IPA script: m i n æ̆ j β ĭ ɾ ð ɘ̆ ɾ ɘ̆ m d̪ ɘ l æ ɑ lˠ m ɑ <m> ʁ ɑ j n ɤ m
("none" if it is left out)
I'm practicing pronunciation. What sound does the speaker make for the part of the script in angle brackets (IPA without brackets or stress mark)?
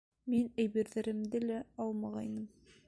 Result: none